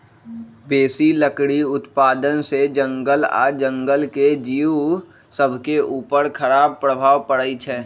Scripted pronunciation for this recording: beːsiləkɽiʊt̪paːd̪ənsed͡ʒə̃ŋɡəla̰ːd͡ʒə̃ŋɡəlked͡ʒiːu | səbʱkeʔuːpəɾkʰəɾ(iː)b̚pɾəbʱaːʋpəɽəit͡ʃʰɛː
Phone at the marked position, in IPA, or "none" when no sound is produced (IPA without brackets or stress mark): aː